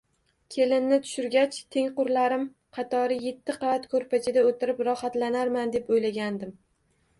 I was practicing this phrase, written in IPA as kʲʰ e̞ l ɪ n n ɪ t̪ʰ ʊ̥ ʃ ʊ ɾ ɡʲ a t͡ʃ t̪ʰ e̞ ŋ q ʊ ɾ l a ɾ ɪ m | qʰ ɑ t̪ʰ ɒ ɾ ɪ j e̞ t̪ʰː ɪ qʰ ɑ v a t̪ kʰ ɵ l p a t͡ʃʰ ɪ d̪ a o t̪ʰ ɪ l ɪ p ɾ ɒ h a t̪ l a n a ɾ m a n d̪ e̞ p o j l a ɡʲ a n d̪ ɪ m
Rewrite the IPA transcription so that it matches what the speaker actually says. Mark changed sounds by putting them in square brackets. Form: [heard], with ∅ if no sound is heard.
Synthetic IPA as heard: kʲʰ e̞ l ɪ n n ɪ t̪ʰ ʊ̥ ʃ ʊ ɾ ɡʲ a t͡ʃ t̪ʰ e̞ ŋ q ʊ ɾ l a ɾ ɪ m | qʰ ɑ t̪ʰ ɒ ɾ ɪ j e̞ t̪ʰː ɪ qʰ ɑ v a t̪ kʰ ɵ [ɾ] p a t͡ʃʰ ɪ d̪ a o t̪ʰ ɪ [ɾ] ɪ p ɾ ɒ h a t̪ l a n a ɾ m a n d̪ e̞ p o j l a ɡʲ a n d̪ ɪ m

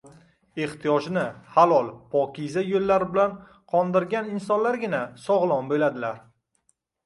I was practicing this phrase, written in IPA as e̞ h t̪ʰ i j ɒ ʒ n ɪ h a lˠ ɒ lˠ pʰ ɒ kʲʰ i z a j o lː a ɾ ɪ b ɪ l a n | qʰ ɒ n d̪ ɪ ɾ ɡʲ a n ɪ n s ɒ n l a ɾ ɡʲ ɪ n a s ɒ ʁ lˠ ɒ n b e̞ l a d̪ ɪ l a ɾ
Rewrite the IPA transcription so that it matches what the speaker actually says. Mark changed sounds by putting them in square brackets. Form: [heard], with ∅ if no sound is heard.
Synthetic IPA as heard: e̞ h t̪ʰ i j ɒ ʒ n ɪ h a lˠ ɒ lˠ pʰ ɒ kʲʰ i z a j o lː a ɾ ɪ b ɪ l a n | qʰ ɒ n d̪ ɪ ɾ ɡʲ a n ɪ n s ɒ n l a ɾ ɡʲ ɪ n a s ɒ ʁ lˠ ɒ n b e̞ l a d̪ ɪ l a ɾ

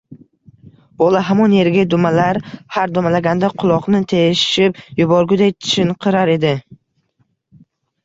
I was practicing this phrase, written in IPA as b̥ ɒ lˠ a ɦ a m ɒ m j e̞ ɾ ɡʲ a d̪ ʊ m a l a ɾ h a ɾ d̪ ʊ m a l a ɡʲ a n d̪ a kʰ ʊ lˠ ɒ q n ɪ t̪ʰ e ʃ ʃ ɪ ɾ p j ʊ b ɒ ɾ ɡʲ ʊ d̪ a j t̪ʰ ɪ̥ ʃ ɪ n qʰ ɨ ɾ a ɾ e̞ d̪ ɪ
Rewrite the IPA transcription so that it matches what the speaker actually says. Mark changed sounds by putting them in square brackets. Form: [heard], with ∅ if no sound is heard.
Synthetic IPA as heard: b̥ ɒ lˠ a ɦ a m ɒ [n] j e̞ ɾ ɡʲ a d̪ ʊ m a l a ɾ h a ɾ d̪ ʊ m a l a ɡʲ a n d̪ a [qʰ] ʊ lˠ ɒ q n ɪ t̪ʰ e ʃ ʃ ɪ [∅] p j ʊ b ɒ ɾ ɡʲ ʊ d̪ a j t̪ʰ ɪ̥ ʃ ɪ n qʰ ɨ ɾ a ɾ e̞ d̪ ɪ

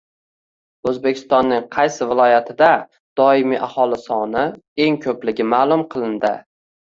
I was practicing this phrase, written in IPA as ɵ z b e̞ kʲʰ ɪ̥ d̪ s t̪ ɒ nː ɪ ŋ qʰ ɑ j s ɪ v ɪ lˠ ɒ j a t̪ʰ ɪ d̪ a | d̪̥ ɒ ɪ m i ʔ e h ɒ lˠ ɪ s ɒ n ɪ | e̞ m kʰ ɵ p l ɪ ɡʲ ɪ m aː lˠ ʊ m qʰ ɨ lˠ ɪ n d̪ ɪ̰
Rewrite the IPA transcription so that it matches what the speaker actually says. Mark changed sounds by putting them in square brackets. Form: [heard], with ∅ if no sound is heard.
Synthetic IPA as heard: ɵ z b e̞ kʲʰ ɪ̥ [∅] s t̪ ɒ nː ɪ ŋ qʰ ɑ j s ɪ v ɪ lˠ ɒ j a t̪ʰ ɪ d̪ a | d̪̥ ɒ ɪ m i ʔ [a] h ɒ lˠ ɪ s ɒ n ɪ | e̞ [ŋ] kʰ ɵ p l ɪ ɡʲ ɪ m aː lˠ ʊ m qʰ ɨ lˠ ɪ n d̪ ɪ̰

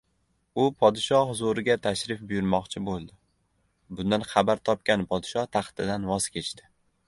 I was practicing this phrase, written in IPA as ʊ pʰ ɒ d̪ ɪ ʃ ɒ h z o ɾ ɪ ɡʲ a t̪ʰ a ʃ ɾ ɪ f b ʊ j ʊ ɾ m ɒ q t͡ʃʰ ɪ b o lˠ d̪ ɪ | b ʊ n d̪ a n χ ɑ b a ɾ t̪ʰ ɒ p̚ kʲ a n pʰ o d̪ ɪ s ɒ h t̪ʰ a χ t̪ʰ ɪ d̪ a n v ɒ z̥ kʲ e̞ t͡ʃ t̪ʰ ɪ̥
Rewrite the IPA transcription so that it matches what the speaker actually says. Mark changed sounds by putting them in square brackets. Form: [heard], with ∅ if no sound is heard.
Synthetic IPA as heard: ʊ pʰ ɒ d̪ ɪ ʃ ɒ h z o ɾ ɪ ɡʲ a t̪ʰ a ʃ ɾ ɪ f b ʊ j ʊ ɾ m ɒ q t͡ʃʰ ɪ b o lˠ d̪ ɪ | b ʊ n d̪ a n χ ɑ b a ɾ t̪ʰ ɒ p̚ kʲ a n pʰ [ɒ] d̪ ɪ [ʃ] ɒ h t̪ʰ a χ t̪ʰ ɪ d̪ a n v ɒ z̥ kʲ e̞ t͡ʃ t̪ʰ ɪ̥

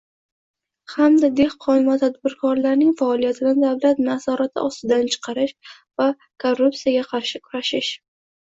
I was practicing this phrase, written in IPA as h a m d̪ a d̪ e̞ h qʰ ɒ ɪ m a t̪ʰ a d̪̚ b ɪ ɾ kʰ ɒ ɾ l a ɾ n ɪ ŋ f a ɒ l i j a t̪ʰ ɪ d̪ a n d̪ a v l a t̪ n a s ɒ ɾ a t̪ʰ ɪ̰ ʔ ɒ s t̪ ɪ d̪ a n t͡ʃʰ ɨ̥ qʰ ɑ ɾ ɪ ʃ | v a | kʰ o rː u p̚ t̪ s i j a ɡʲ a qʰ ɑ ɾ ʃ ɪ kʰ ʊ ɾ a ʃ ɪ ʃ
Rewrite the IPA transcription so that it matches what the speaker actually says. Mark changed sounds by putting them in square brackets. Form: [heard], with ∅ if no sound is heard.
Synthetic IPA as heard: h a m d̪ a d̪ e̞ h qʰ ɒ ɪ m a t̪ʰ a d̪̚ b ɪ ɾ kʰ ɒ ɾ l a ɾ n ɪ ŋ f a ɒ l i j a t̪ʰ ɪ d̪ a n d̪ a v l a t̪ n a s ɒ ɾ a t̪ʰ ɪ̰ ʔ ɒ s t̪ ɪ d̪ a n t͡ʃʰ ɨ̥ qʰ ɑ ɾ ɪ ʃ | v a | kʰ o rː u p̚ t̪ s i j a ɡʲ a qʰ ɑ ɾ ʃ ɪ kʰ ʊ ɾ a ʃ ɪ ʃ

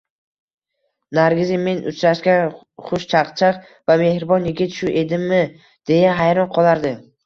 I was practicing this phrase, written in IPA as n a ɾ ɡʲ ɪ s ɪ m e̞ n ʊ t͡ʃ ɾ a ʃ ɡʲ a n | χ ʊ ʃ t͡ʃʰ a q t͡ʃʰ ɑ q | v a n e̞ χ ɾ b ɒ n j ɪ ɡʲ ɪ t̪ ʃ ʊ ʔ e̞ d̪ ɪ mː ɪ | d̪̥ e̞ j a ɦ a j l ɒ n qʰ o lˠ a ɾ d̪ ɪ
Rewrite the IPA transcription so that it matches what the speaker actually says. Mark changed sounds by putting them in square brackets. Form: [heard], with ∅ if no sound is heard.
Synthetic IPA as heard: n a ɾ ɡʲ ɪ [z] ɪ m e̞ n ʊ t͡ʃ ɾ a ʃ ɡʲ a n | χ ʊ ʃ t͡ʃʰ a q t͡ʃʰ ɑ q | v a [m] e̞ [h] ɾ b ɒ n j ɪ ɡʲ ɪ t̪ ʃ ʊ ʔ e̞ d̪ ɪ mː ɪ | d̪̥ e̞ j a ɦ a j [ɾ] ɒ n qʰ [ɒ] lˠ a ɾ d̪ ɪ

